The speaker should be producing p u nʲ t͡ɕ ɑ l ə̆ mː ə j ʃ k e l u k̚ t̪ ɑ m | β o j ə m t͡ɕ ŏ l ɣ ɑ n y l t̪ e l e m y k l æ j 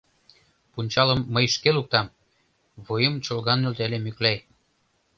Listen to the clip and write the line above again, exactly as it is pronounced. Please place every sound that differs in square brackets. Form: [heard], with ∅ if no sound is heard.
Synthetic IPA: p u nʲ t͡ɕ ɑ l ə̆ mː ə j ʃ k e l u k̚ t̪ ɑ m | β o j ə m t͡ɕ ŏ l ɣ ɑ n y l t̪ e l e m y k l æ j

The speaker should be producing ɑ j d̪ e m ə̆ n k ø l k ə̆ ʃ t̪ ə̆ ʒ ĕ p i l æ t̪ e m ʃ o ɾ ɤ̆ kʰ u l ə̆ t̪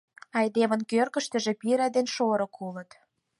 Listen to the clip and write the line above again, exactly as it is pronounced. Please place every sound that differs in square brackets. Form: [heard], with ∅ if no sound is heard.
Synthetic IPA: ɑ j d̪ e m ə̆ n k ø [r] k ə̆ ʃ t̪ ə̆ ʒ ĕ p i [ɾ] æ [d̪] e [n] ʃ o ɾ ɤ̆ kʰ u l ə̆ t̪

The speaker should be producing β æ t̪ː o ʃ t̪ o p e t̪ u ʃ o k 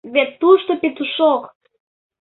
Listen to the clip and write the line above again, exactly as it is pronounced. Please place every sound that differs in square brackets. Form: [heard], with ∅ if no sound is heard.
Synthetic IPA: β [e] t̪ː [u] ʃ t̪ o p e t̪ u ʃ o k

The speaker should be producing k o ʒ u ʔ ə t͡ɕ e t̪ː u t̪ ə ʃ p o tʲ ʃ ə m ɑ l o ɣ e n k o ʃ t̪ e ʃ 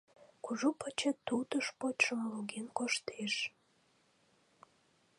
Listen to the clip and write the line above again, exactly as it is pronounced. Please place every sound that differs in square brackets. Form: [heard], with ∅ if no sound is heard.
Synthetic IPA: k [u] ʒ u [p] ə t͡ɕ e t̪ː u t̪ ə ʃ p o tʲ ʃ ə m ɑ l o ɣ e n k o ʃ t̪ e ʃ

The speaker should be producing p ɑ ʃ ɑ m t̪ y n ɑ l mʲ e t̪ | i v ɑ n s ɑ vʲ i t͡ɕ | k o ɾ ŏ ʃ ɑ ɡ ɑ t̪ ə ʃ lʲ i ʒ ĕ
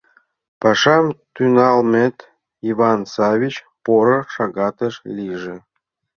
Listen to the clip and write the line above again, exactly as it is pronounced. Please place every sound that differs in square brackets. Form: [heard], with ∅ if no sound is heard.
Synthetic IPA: p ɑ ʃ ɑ m t̪ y n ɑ l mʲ e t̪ | i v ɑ n s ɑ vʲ i t͡ɕ | [p] o ɾ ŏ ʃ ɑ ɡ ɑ t̪ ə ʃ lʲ i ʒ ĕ

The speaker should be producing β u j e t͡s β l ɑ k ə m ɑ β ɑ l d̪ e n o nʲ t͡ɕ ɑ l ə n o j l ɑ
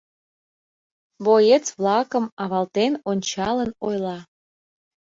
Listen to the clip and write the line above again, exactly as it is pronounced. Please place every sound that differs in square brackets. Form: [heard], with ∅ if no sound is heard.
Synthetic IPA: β [o] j e t͡s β l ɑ k ə m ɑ β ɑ l [t̪] e n o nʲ t͡ɕ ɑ l ə n o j l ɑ

